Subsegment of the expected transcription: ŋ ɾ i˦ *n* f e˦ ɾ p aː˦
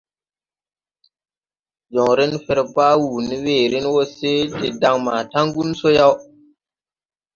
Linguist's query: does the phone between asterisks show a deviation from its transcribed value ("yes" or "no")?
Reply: no